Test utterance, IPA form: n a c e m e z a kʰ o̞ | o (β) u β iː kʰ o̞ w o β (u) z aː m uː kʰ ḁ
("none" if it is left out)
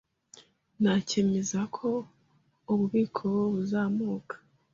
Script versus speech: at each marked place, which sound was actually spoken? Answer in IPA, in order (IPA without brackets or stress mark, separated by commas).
β, u